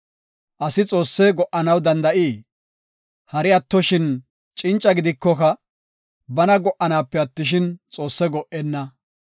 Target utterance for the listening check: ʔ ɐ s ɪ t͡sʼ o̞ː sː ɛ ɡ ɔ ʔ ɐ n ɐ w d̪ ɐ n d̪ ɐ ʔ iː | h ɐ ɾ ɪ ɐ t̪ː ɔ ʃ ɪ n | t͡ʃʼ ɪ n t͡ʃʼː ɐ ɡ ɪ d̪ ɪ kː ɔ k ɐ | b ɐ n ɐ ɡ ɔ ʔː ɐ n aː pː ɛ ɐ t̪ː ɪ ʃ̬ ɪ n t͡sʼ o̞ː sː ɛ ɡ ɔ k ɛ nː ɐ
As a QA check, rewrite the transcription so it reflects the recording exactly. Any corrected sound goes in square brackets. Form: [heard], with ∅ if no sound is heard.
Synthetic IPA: ʔ ɐ s ɪ t͡sʼ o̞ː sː ɛ ɡ ɔ ʔ ɐ n ɐ w d̪ ɐ n d̪ ɐ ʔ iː | h ɐ ɾ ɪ ɐ t̪ː ɔ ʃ ɪ n | t͡ʃʼ ɪ n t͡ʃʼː ɐ ɡ ɪ d̪ ɪ kː ɔ k ɐ | b ɐ n ɐ ɡ ɔ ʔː ɐ n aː pː ɛ ɐ t̪ː ɪ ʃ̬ ɪ n t͡sʼ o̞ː sː ɛ ɡ ɔ [ʔ] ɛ nː ɐ